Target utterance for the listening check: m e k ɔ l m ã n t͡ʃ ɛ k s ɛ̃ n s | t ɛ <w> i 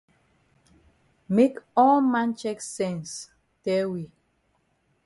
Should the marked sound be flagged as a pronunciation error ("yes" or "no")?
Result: no